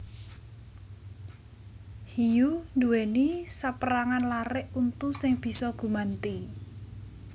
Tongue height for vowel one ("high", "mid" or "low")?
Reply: high